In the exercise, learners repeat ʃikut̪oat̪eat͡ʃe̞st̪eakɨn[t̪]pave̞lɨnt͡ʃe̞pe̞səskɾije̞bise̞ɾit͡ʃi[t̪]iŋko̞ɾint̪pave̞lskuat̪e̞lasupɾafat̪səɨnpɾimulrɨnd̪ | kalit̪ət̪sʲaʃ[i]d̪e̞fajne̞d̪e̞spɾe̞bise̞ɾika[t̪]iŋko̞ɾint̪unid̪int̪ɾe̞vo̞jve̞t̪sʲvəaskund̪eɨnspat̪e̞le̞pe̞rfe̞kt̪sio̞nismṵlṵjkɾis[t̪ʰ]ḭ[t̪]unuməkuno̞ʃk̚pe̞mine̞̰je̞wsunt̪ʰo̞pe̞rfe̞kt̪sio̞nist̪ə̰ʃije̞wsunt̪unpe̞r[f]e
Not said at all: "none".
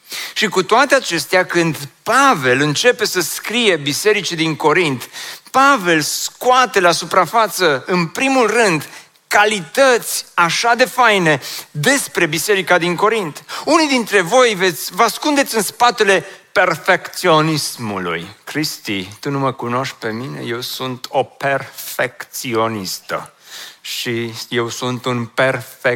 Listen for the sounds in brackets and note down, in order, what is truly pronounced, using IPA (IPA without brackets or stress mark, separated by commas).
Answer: d̪, d̪, a, d̪, t̪, t̪, f